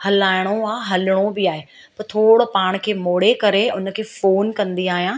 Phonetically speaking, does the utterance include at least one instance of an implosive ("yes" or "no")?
no